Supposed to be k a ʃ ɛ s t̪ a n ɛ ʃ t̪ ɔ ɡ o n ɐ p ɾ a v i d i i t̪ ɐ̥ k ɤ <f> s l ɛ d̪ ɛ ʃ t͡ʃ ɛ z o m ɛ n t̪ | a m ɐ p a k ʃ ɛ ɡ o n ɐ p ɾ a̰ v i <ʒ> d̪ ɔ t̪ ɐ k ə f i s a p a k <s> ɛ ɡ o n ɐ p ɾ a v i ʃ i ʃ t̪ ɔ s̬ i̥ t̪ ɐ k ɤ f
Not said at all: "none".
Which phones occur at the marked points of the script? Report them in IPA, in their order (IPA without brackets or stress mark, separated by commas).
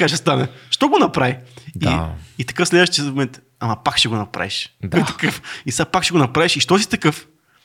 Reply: f, ʃ, ʃ